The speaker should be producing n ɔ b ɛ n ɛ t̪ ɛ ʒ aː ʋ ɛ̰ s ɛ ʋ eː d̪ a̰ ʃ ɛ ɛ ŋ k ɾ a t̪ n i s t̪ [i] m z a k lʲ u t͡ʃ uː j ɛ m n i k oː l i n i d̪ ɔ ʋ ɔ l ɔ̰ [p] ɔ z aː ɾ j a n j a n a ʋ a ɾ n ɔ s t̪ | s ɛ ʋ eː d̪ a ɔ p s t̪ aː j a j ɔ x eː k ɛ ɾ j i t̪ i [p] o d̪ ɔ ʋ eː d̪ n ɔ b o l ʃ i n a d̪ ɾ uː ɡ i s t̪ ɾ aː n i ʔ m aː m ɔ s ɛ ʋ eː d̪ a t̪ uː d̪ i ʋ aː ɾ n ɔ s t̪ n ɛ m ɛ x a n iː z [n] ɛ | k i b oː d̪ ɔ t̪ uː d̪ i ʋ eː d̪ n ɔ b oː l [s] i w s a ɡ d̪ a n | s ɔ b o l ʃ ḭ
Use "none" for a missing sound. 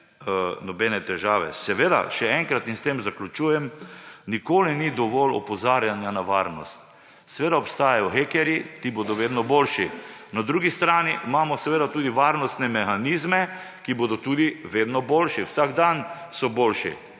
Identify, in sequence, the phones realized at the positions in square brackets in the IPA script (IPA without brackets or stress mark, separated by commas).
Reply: e, p, b, m, ʃ